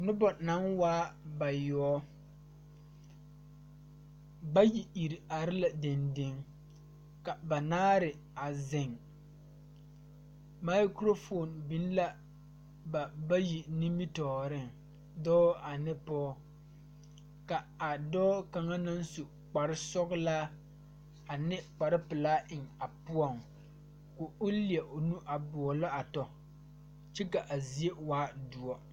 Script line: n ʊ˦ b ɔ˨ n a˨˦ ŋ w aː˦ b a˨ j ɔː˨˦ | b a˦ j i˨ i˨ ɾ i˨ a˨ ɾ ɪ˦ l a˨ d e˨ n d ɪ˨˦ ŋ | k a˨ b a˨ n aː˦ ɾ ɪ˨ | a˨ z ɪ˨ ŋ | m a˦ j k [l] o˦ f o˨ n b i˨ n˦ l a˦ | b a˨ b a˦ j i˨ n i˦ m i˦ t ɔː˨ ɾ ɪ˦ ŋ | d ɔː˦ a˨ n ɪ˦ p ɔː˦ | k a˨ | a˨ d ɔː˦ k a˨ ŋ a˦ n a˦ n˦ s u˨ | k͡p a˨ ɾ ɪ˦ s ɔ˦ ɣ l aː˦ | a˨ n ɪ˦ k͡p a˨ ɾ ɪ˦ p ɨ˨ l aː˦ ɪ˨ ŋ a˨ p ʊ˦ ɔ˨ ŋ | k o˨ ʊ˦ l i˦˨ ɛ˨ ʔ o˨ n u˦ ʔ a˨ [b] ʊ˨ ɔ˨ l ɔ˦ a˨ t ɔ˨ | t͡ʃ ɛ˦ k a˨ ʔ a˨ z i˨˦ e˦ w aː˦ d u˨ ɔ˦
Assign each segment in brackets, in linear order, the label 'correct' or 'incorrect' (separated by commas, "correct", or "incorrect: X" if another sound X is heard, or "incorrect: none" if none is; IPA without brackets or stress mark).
incorrect: ɾ, correct